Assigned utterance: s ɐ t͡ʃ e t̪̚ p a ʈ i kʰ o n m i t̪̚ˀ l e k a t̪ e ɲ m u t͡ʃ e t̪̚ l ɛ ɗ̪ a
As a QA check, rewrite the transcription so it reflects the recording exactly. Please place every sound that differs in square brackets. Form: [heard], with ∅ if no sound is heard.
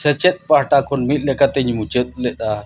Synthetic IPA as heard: s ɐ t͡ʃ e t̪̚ p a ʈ [a] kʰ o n m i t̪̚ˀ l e k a t̪ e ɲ m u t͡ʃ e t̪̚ l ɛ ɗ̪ a

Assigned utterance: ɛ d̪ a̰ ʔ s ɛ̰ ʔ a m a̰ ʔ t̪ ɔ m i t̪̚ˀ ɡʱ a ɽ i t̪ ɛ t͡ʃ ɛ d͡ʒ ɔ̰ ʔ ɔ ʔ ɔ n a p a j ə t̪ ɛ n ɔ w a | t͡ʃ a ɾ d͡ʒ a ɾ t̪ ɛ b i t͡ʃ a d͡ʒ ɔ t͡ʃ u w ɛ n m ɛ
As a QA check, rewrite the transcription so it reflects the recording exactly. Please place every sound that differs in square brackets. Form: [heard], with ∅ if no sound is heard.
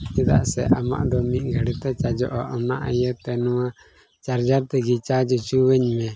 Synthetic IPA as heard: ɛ d̪ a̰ ʔ s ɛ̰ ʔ a m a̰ ʔ [d̪] ɔ m i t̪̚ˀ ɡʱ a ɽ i t̪ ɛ t͡ʃ [a] d͡ʒ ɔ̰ ʔ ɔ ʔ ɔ n a [ʔ] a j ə t̪ ɛ n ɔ w a | t͡ʃ a ɾ d͡ʒ a ɾ t̪ ɛ [ɡ] i t͡ʃ a d͡ʒ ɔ t͡ʃ u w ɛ [ɲ] m ɛ

